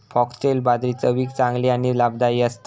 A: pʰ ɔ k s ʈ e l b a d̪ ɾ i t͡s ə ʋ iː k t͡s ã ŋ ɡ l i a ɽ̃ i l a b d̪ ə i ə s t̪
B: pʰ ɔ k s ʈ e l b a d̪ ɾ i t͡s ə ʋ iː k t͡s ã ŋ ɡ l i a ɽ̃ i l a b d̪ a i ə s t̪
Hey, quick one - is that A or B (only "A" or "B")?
B